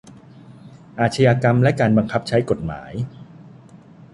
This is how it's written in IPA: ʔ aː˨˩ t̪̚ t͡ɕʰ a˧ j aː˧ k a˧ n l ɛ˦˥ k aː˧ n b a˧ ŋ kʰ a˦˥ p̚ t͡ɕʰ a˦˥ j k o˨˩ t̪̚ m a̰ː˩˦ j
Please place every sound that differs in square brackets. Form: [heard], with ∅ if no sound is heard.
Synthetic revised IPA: ʔ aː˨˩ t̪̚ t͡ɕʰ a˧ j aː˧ k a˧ [m] l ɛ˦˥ k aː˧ n b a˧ ŋ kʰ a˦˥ p̚ t͡ɕʰ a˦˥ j k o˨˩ t̪̚ m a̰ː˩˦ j